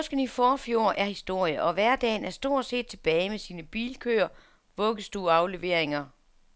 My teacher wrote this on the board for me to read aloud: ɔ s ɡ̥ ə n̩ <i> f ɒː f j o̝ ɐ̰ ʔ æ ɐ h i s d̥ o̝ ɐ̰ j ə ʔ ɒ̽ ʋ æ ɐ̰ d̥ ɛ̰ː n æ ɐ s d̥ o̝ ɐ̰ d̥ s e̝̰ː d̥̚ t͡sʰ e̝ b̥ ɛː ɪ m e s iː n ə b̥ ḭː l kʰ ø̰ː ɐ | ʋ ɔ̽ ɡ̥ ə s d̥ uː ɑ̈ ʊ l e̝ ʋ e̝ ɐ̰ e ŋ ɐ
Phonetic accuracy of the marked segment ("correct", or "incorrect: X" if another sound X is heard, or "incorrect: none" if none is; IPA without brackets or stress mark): correct